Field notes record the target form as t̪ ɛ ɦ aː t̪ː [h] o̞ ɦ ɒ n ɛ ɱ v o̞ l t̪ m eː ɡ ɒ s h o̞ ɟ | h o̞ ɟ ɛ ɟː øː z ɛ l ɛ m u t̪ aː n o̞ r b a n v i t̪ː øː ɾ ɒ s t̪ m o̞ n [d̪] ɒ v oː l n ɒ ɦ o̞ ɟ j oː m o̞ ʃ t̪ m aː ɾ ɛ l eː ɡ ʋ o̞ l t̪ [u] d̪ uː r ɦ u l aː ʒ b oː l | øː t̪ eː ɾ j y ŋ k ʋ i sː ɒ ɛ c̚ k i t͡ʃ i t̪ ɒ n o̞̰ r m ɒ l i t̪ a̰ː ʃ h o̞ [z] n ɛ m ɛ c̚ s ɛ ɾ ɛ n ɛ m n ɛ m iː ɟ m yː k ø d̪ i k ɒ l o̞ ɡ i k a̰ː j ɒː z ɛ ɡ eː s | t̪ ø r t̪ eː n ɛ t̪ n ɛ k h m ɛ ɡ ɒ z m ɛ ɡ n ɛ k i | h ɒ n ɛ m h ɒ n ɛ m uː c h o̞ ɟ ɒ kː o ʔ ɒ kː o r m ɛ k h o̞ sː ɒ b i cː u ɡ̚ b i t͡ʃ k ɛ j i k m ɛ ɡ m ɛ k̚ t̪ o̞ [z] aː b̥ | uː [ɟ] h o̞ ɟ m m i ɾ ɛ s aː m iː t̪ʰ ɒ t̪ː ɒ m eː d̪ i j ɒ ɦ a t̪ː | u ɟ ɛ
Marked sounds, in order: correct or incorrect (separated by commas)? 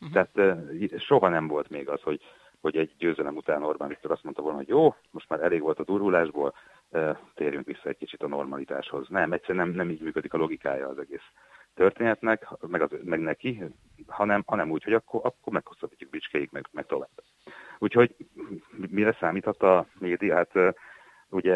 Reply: incorrect, incorrect, incorrect, correct, incorrect, incorrect